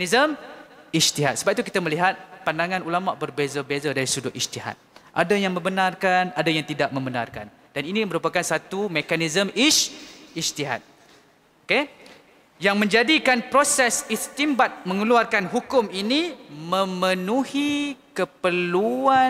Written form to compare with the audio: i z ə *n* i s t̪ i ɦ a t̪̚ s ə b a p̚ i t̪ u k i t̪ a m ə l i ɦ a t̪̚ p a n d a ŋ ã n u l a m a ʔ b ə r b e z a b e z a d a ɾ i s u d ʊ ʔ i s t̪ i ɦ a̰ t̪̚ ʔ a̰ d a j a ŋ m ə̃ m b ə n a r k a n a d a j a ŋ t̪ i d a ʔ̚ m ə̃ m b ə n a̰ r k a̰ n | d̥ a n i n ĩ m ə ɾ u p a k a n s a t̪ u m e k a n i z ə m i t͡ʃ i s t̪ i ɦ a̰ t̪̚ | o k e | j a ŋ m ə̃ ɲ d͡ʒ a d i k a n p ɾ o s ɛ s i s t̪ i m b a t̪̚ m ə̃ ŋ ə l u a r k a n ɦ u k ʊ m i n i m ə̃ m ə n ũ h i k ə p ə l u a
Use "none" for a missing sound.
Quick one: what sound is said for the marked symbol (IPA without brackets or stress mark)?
m